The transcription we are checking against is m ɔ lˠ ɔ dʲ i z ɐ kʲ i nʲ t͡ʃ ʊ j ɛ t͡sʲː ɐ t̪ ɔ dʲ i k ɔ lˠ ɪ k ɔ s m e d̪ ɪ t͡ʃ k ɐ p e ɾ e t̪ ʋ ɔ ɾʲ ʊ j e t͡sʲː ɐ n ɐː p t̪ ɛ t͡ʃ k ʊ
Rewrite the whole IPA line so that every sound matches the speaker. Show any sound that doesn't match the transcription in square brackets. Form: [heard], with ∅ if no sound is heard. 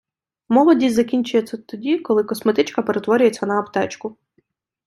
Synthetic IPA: m ɔ lˠ ɔ dʲ i z ɐ kʲ i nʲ t͡ʃ ʊ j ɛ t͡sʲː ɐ t̪ ɔ dʲ i k ɔ lˠ ɪ k ɔ s m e [t̪] ɪ t͡ʃ k ɐ p e ɾ e t̪ ʋ ɔ ɾʲ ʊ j e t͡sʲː ɐ n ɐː p t̪ ɛ t͡ʃ k ʊ